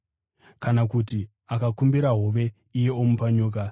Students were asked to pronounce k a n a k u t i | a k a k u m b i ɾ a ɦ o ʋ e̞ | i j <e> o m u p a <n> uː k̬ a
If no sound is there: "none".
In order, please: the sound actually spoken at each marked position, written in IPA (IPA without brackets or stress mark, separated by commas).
e, ɲ